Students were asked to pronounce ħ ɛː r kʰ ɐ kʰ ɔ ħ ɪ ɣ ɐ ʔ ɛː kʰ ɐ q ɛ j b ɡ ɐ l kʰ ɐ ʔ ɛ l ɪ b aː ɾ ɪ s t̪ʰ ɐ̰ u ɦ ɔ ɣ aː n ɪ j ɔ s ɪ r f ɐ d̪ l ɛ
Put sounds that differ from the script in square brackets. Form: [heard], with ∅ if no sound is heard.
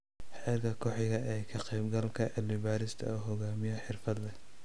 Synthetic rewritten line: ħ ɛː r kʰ ɐ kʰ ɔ ħ ɪ ɣ ɐ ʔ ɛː kʰ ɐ q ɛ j b ɡ ɐ l kʰ ɐ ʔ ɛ l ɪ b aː ɾ ɪ s t̪ʰ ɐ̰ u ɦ ɔ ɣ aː [m] ɪ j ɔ [ħ] ɪ r f ɐ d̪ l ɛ